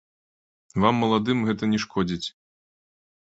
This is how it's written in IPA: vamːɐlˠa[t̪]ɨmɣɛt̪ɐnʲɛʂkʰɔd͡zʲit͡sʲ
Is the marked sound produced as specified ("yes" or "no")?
no